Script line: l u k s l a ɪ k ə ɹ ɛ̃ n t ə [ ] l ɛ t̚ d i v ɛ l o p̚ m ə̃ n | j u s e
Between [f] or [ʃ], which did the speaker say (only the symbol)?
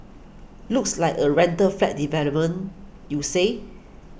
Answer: f